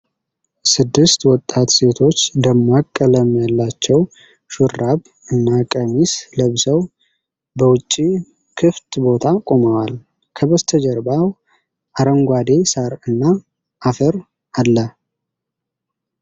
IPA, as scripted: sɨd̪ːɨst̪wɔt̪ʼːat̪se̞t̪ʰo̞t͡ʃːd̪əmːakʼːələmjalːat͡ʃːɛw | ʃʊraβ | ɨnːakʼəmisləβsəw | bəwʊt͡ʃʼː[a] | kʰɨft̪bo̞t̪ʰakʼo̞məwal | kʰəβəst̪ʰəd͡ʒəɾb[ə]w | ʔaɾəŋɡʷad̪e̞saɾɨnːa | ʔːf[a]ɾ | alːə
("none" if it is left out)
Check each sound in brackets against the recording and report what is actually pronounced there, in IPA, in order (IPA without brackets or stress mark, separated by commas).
i, a, ə